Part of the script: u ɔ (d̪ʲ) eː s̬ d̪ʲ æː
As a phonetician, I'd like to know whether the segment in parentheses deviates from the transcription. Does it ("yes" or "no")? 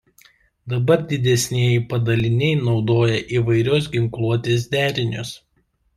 yes